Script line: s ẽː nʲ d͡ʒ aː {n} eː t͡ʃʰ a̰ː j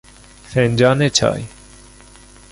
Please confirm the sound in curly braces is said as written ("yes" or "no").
yes